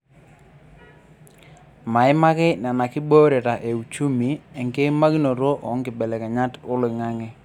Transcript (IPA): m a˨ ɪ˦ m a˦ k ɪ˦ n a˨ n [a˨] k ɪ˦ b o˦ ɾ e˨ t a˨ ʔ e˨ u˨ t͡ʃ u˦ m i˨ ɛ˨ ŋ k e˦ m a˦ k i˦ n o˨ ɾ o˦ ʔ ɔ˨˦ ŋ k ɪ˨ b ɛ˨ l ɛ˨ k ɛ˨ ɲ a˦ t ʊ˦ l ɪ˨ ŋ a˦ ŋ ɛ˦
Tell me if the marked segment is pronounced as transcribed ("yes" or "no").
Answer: yes